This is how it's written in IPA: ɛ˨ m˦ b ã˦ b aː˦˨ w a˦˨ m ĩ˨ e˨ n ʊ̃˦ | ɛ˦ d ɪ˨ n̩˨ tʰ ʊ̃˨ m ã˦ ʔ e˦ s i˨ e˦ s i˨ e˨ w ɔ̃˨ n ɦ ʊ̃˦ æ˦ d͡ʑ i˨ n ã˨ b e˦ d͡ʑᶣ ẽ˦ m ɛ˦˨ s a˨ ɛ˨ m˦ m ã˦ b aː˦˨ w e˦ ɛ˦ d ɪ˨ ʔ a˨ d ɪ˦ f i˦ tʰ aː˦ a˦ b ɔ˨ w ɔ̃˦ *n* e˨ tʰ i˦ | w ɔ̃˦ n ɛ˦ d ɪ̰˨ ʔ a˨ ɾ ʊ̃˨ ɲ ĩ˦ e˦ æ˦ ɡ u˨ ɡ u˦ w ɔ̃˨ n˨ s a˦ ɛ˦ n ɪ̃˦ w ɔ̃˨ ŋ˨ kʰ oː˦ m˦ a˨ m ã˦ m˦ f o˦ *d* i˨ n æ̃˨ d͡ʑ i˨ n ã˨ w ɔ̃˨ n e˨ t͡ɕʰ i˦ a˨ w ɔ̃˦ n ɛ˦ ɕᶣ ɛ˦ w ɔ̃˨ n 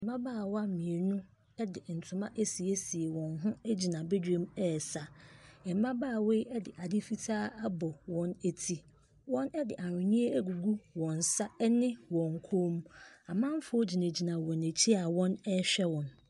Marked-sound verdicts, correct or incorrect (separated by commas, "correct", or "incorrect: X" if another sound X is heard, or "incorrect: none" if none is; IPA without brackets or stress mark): correct, incorrect: d͡ʑ